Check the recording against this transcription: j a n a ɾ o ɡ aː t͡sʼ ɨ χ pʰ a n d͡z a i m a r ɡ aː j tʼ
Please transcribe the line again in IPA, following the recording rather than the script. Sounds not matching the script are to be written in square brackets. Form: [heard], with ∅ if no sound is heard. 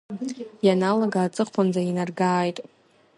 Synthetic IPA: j a n a [l] o ɡ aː t͡sʼ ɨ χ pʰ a n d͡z a i [n] a r ɡ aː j tʼ